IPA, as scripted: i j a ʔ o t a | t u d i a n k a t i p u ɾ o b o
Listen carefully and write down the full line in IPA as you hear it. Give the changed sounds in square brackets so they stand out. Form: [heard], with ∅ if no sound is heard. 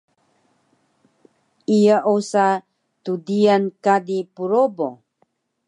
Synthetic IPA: i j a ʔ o [s] a | t u d i a n k a [d] i p u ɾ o b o